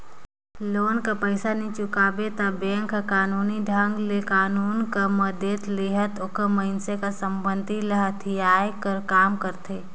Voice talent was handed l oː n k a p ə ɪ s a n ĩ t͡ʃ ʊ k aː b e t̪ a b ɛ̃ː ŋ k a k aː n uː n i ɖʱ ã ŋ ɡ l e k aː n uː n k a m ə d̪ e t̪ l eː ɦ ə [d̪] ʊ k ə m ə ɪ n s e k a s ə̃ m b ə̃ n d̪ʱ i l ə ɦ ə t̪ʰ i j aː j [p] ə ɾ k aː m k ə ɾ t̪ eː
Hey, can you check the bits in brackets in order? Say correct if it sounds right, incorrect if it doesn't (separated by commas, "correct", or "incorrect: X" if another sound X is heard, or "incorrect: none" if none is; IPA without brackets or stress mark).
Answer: incorrect: t̪, incorrect: k